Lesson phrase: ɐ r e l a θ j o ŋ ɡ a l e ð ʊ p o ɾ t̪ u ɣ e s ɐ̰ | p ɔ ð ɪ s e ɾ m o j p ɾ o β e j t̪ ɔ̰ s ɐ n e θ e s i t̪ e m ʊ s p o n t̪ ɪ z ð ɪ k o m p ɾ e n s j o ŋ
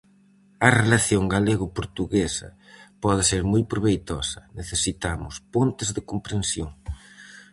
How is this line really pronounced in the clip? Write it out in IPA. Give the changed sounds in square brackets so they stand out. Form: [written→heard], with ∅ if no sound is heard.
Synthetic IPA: ɐ r e l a θ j o ŋ ɡ a l e [ð→ɣ] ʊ p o ɾ t̪ u ɣ e s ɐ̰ | p ɔ ð ɪ s e ɾ m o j p ɾ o β e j t̪ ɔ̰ s ɐ n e θ e s i t̪ [e→a] m ʊ s p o n t̪ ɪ z ð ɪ k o m p ɾ e n s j o ŋ